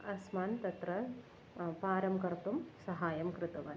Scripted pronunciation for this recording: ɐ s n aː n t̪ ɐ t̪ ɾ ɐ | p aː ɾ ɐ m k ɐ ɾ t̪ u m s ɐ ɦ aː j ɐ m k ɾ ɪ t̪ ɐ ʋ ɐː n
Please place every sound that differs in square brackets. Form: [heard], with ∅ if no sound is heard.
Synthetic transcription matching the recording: ɐ s [m] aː n t̪ ɐ t̪ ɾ ɐ | p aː ɾ ɐ m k ɐ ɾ t̪ u m s ɐ ɦ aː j ɐ m k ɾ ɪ t̪ ɐ ʋ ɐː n